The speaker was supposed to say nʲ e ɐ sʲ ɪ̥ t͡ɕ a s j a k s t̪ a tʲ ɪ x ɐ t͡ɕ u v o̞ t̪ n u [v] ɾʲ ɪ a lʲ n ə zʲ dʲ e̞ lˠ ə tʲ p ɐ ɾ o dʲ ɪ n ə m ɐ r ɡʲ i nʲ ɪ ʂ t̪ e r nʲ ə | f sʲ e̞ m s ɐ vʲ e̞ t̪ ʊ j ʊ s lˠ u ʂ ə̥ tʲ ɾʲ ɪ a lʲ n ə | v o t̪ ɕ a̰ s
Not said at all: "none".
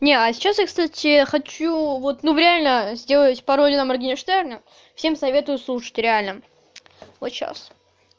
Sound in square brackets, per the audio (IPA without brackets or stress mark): v